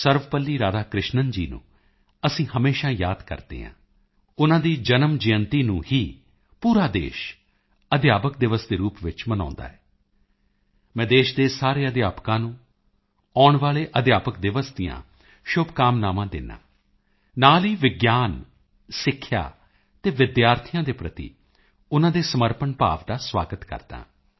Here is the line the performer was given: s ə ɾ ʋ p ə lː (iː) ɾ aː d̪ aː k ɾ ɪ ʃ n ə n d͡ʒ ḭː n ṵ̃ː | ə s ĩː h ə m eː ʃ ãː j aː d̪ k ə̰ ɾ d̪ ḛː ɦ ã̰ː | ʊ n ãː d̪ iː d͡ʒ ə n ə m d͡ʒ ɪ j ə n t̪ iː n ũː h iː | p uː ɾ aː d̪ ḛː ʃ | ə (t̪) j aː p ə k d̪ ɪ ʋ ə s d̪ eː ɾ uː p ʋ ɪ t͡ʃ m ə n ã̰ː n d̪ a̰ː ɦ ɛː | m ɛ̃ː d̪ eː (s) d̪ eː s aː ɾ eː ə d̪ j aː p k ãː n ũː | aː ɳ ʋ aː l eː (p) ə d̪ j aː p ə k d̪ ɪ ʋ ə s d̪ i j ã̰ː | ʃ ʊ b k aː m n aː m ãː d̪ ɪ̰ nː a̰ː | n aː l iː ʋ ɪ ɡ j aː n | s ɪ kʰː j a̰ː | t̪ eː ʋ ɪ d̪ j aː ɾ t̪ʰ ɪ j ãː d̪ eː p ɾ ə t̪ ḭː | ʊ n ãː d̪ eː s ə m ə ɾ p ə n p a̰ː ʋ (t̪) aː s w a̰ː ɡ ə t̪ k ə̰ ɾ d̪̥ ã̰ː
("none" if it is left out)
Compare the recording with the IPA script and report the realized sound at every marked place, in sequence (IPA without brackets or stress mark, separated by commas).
iː, d̪, ʃ, ʔ, d̪